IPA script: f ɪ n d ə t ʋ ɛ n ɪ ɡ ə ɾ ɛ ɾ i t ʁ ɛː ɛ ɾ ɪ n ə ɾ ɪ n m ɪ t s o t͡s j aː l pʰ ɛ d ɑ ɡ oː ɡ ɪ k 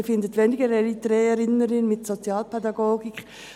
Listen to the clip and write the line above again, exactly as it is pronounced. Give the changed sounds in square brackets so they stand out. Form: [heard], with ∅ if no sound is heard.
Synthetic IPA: f ɪ n d ə t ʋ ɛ n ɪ ɡ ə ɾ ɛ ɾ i t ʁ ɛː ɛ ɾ ɪ n ə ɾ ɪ n m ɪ t s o t͡s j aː l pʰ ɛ d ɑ ɡ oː ɡ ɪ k